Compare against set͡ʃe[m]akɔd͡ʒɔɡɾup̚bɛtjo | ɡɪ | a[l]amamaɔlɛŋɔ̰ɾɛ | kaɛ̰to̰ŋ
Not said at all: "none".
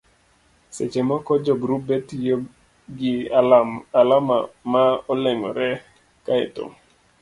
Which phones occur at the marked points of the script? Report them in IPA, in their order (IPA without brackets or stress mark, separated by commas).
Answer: m, l